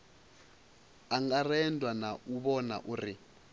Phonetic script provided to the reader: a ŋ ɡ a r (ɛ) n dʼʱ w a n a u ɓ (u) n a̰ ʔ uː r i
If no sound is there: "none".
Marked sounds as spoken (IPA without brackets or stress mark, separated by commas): ɛ, ɔ